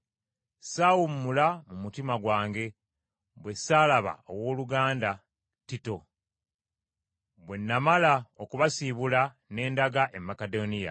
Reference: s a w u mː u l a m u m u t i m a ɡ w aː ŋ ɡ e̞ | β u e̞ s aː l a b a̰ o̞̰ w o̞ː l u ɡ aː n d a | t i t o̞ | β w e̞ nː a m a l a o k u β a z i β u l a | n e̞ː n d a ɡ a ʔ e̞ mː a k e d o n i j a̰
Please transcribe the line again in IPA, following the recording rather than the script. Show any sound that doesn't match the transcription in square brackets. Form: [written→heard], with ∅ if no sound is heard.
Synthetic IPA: s a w u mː u l a m u m u t i m a ɡ w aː ŋ ɡ e̞ | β [u→w] e̞ s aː l a [b→β] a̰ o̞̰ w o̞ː l u ɡ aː n d a | t i t o̞ | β w e̞ nː a m a l a o k u β a [z→s] i β u l a | n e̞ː n d a ɡ a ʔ e̞ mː a k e d o n i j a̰